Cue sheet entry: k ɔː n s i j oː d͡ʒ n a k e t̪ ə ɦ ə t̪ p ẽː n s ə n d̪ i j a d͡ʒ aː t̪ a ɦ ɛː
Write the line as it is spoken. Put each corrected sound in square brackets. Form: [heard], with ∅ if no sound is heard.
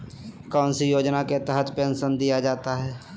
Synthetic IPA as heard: k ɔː n s i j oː d͡ʒ n a k e t̪ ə ɦ ə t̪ p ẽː n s ə n d̪ i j a d͡ʒ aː t̪ a ɦ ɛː